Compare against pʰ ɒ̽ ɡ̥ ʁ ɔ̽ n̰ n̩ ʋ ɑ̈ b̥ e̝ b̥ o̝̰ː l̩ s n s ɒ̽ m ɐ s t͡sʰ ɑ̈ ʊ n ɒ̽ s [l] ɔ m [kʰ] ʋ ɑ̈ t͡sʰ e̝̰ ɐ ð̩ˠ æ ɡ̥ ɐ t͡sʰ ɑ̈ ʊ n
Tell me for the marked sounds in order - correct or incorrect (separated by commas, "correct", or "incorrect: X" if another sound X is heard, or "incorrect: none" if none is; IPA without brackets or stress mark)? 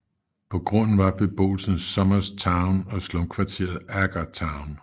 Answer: correct, correct